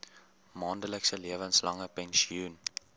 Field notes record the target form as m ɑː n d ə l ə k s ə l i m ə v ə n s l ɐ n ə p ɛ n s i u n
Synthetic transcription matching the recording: m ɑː n d ə l ə k s ə l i ə v ə n s l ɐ ŋ ə p ɛ n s i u n